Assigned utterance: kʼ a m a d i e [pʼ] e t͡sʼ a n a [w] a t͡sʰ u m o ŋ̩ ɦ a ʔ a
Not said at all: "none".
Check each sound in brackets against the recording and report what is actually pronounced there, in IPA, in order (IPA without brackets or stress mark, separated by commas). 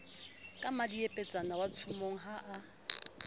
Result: pʼ, w